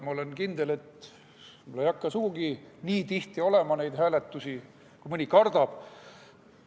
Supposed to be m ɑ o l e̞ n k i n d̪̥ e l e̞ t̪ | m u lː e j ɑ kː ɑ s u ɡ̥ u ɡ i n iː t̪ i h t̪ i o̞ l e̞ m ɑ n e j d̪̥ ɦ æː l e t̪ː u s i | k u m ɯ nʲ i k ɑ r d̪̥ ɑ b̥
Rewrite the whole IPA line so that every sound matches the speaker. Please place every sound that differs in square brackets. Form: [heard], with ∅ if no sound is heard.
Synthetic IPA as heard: m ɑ o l e̞ n k i n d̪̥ e l e̞ t̪ | m u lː e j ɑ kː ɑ s u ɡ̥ u ɡ i n iː t̪ i h t̪ i o̞ l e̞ m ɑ n e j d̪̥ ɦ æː l e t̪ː u s i | k u m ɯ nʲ i k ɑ r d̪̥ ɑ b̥